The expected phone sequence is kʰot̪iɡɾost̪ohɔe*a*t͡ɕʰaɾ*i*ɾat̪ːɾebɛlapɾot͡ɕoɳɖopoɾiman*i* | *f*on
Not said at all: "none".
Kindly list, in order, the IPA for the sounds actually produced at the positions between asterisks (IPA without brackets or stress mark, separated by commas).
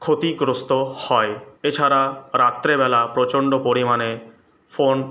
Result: e, a, e, f